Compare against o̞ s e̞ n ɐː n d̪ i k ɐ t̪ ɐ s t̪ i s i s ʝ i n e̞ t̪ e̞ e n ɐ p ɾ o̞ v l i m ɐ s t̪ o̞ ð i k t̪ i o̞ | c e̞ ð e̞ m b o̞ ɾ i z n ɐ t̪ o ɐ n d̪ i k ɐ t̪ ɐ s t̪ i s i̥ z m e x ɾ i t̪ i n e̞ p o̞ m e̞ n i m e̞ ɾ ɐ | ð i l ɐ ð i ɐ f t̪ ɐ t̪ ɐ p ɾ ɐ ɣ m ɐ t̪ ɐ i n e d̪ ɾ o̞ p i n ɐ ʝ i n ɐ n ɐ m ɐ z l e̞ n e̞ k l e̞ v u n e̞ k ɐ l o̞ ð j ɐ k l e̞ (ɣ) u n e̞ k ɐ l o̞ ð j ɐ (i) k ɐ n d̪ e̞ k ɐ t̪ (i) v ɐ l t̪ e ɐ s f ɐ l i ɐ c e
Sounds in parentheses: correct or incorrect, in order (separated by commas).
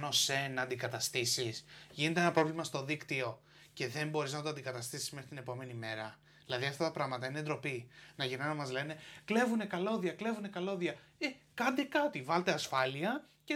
incorrect, incorrect, correct